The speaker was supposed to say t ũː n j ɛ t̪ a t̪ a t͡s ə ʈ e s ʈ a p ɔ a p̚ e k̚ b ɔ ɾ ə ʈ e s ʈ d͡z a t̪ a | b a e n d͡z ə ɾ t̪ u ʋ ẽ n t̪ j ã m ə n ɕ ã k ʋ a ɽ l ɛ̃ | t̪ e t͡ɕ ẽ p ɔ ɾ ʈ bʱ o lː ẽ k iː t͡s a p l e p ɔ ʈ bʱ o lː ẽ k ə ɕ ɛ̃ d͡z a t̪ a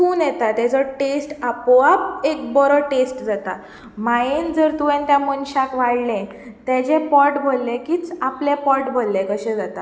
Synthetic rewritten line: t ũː n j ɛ t̪ a t̪ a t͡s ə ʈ e s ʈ a p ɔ a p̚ e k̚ b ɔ ɾ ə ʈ e s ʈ d͡z a t̪ a | m a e n d͡z ə ɾ t̪ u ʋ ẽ n t̪ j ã m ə n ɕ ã k ʋ a ɽ l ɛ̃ | t̪ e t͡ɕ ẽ p ɔ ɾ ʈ bʱ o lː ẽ k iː t͡s a p l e p ɔ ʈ bʱ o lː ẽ k ə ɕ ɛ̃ d͡z a t̪ a